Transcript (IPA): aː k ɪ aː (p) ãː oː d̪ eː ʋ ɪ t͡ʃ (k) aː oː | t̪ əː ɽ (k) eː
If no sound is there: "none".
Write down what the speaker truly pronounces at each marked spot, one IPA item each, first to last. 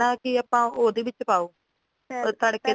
p, p, k

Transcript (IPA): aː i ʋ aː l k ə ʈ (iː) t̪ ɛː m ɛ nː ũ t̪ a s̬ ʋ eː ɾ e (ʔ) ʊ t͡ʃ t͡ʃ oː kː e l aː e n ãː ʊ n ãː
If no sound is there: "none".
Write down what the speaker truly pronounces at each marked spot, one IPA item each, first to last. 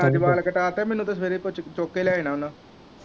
aː, p

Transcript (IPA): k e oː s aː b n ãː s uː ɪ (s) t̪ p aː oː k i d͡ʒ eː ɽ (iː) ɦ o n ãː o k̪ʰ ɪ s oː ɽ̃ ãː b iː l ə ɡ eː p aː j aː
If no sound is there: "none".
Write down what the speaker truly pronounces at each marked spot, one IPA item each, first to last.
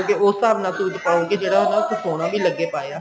none, aː

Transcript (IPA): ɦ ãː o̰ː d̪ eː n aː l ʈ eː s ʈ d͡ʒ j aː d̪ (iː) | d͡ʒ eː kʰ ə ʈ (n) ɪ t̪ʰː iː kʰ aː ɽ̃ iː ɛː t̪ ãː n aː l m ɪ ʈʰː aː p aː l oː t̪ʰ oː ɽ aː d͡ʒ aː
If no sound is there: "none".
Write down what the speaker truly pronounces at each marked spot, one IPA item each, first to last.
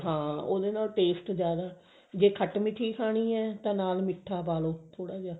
aː, m

